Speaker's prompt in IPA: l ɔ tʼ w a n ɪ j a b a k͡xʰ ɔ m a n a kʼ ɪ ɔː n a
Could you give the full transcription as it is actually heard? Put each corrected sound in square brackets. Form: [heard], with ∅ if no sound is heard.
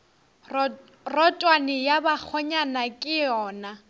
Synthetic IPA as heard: [r] ɔ tʼ w a n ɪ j a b a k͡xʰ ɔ [ɲ] a n a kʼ ɪ ɔː n a